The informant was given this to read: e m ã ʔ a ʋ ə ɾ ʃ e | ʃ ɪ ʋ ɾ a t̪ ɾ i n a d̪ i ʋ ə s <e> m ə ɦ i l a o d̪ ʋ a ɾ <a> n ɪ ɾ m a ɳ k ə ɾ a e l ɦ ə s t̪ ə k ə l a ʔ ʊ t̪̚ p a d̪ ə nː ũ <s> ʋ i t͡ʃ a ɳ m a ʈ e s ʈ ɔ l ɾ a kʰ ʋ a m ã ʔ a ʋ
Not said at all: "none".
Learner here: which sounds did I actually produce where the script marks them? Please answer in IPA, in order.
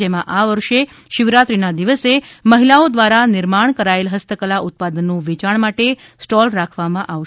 e, a, none

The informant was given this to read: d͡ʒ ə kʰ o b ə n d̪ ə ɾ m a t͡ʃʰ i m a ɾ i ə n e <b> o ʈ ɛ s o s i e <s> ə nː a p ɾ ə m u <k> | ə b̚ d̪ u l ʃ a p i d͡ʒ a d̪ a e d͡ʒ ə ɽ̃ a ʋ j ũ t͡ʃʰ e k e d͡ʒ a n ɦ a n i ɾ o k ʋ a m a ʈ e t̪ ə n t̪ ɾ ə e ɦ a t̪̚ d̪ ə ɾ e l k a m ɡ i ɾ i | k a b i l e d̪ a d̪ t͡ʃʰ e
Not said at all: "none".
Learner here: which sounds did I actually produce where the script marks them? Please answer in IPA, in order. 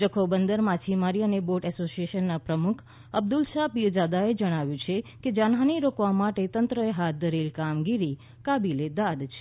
b, ʃ, kʰ

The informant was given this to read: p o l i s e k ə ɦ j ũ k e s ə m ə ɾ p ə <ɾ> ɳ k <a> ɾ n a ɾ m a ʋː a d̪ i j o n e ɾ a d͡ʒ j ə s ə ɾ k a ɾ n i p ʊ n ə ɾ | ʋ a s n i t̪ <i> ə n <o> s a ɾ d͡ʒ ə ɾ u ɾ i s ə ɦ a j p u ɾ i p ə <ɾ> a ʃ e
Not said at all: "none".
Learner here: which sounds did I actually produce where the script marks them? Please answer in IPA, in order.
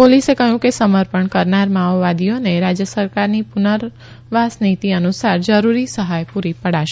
none, ə, i, u, ɽ

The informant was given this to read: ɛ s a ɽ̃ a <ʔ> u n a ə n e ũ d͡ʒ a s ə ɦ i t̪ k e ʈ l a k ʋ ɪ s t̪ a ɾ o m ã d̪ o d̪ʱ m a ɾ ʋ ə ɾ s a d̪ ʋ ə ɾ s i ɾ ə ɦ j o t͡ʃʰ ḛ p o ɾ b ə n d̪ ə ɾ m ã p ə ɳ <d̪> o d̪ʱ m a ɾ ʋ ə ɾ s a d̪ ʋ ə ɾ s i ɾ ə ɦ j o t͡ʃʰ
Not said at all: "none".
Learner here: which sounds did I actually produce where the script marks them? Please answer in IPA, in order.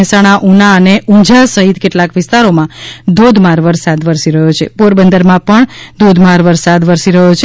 ʔ, d̪

